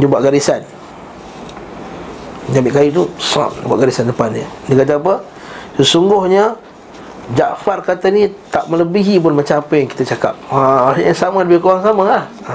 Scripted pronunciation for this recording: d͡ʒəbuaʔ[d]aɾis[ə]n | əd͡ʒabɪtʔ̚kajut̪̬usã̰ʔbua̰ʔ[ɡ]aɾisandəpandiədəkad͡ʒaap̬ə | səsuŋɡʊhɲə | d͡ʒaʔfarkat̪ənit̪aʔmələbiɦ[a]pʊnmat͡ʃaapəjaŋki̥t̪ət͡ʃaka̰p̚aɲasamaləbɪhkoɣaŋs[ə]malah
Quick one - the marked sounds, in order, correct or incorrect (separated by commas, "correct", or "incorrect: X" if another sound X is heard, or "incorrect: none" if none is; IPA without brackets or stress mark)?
incorrect: ɡ, incorrect: a, correct, incorrect: i, incorrect: a